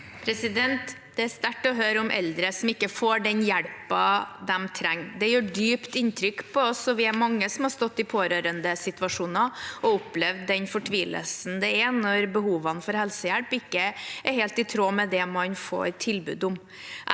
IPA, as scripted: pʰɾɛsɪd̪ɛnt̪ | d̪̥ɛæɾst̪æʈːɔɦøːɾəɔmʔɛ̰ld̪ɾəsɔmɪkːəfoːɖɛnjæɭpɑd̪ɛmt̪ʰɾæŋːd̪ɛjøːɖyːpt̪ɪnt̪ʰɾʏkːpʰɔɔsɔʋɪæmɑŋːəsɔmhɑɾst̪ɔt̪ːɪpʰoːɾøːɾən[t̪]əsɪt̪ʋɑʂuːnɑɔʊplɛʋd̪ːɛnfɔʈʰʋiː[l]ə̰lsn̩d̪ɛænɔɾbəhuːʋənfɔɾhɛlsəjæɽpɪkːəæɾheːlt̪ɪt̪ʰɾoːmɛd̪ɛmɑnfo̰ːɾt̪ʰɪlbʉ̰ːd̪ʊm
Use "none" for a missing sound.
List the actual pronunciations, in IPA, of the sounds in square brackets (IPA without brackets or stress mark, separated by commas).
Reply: d̪, l